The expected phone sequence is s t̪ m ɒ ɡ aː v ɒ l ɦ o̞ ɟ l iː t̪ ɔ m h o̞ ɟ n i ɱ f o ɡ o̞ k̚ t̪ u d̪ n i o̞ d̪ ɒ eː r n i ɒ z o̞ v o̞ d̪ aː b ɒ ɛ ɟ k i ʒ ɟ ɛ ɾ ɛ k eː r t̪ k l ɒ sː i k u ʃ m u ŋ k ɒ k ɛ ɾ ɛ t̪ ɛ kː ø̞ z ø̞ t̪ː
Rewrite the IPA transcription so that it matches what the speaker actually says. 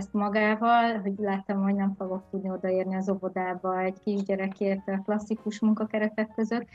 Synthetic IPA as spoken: s t̪ m ɒ ɡ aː v ɒ l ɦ o̞ ɟ l aː t̪ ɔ m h o̞ ɟ n ɛ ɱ f o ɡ o̞ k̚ t̪ u d̪ n i o̞ d̪ ɒ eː r n i ɒ z o̞ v o̞ d̪ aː b ɒ ɛ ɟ k i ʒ ɟ ɛ ɾ ɛ k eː r t̪ k l ɒ sː i k u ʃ m u ŋ k ɒ k ɛ ɾ ɛ t̪ ɛ kː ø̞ z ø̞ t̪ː